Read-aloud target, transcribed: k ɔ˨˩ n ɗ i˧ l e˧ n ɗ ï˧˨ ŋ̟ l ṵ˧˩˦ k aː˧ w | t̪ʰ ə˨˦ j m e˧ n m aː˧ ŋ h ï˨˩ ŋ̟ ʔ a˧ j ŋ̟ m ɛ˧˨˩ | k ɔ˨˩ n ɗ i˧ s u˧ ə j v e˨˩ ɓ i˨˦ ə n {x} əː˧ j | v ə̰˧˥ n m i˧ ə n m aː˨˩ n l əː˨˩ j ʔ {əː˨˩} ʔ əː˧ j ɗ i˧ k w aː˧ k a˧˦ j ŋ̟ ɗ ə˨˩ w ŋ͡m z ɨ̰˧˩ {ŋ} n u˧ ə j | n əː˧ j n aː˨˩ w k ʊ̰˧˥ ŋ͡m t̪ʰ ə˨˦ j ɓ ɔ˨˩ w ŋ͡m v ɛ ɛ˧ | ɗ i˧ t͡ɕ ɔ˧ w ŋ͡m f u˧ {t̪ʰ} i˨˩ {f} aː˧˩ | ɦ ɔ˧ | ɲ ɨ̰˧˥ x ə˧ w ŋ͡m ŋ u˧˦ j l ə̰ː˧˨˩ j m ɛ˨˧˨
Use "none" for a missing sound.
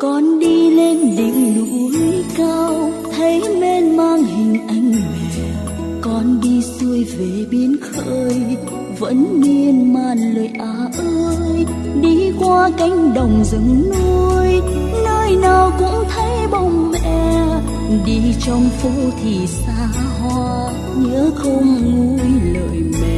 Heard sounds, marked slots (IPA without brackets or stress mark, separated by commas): x, aː˨˩, ŋ, t̪ʰ, s